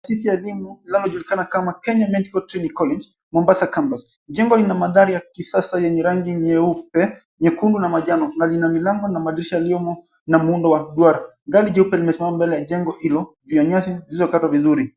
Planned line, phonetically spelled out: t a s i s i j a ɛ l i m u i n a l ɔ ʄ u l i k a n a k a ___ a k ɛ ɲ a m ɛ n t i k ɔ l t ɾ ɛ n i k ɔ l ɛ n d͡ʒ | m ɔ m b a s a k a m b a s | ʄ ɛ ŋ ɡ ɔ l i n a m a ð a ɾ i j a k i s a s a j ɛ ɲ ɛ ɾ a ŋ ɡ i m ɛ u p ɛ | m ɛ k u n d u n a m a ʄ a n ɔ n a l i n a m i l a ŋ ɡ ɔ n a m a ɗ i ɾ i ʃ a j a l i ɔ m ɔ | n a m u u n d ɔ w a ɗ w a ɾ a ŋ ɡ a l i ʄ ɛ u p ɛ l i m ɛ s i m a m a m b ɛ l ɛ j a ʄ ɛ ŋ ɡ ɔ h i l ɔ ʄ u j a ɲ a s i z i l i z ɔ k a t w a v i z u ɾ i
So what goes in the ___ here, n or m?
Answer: m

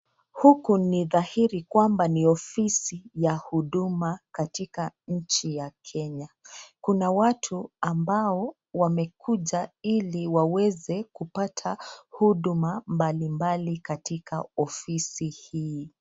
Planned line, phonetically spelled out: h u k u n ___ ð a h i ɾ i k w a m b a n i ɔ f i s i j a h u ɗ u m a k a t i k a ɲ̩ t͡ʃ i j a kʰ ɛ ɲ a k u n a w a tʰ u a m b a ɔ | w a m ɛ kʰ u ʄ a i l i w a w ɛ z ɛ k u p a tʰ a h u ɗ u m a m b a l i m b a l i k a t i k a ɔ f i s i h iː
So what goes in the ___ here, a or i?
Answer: i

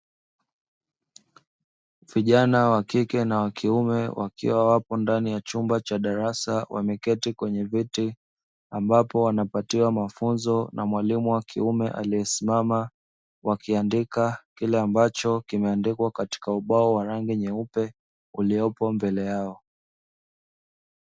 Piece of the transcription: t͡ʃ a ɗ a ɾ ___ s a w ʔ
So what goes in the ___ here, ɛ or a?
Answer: a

